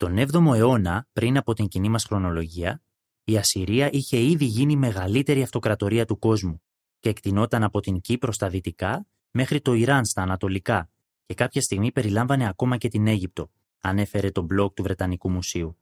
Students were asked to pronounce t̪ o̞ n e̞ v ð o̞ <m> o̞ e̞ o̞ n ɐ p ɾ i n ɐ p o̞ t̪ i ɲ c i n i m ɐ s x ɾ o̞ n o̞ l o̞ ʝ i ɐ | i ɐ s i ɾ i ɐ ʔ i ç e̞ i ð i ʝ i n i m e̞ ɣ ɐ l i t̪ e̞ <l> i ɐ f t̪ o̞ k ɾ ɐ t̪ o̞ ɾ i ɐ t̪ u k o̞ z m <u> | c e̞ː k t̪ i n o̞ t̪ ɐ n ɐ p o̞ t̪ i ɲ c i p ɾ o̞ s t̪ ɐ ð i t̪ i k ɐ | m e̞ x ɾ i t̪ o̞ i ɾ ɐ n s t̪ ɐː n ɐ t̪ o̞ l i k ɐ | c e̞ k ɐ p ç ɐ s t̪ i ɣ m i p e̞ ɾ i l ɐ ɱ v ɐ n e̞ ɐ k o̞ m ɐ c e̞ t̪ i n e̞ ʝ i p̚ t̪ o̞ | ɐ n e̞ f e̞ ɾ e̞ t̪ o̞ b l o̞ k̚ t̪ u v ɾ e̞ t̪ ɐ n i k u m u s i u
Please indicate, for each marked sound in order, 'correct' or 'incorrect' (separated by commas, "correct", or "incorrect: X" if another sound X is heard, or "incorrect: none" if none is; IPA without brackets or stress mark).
correct, incorrect: ɾ, correct